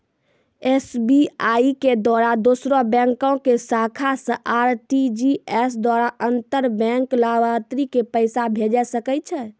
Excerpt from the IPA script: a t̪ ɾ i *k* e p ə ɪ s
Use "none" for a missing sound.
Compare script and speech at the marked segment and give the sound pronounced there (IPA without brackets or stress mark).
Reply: k